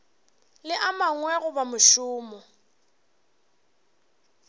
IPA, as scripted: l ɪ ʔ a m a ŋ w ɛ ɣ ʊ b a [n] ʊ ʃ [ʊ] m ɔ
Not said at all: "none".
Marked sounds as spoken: m, ʊː

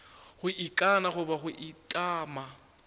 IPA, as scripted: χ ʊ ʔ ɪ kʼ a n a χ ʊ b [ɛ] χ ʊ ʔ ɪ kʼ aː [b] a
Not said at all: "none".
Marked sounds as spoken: a, m

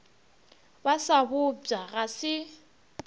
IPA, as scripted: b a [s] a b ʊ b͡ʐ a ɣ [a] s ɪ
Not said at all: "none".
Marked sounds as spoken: s, a

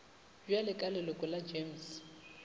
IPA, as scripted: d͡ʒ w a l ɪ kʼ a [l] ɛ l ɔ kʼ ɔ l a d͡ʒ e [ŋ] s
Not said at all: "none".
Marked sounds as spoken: l, m

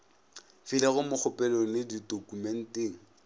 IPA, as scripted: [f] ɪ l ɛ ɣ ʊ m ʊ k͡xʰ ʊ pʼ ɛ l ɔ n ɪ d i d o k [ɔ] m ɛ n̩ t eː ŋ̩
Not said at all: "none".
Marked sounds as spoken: f, u

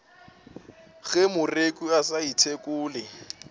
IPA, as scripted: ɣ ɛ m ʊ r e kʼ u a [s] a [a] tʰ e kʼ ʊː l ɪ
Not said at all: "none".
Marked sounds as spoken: s, i

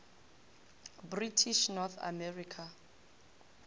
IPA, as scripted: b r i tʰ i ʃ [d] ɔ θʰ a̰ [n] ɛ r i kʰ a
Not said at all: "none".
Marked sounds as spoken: n, m

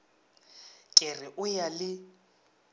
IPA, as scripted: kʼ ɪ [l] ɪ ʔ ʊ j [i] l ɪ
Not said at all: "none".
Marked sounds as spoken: r, a

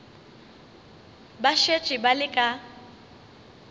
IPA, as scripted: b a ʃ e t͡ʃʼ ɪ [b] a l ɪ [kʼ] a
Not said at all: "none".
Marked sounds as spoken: b, kʼ

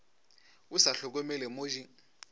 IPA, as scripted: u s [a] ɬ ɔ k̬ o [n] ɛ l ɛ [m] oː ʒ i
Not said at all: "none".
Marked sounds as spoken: a, m, m

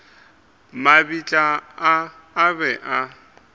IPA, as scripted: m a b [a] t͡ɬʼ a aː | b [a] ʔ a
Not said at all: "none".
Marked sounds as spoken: i, ɛ

